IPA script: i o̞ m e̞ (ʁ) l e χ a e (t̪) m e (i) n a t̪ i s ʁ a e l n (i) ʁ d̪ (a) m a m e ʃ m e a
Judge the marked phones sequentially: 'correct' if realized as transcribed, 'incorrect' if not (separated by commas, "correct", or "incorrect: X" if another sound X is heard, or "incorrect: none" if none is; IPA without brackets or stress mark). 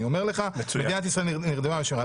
correct, incorrect: none, correct, correct, incorrect: e